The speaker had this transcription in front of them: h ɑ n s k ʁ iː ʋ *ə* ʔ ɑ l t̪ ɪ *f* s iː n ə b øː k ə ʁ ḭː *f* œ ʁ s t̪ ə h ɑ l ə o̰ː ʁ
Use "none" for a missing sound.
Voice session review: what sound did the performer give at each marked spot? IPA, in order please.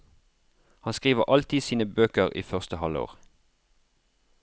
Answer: ə, none, f

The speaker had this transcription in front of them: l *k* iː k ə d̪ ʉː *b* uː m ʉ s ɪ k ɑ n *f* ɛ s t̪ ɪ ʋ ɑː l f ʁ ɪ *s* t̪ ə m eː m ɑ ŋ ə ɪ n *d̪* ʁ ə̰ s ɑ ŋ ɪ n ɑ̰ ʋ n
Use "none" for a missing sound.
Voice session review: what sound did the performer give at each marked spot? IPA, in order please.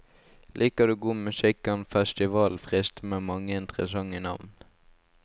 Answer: ʔ, ɡ, f, s, t̪

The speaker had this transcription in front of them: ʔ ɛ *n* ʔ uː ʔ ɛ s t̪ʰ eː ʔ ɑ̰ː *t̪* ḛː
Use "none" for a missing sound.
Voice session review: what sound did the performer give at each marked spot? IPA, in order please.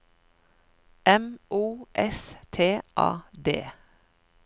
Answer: m, d̪

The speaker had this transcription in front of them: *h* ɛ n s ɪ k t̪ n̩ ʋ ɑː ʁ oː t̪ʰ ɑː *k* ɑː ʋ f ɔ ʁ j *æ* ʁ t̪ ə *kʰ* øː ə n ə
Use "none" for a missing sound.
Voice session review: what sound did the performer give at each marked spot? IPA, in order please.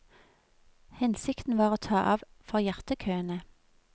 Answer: h, ʔ, æ, kʰ

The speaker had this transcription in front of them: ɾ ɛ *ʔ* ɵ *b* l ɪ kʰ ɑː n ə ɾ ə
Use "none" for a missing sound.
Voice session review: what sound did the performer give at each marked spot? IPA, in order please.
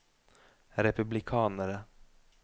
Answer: p, b

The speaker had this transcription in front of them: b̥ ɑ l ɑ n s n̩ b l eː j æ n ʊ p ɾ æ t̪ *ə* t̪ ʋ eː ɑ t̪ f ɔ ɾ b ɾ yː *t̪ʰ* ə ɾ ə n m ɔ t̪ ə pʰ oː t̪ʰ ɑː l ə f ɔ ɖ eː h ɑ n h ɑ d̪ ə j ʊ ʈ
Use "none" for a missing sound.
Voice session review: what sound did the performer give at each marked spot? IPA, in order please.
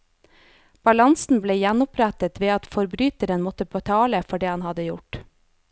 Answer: ə, t̪

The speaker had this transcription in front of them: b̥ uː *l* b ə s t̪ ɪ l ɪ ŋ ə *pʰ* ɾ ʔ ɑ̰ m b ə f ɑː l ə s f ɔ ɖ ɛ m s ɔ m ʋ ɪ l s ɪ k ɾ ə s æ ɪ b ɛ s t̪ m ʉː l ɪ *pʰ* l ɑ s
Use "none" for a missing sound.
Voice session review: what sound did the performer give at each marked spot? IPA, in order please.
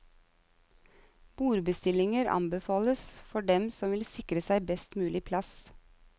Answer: ɾ, none, pʰ

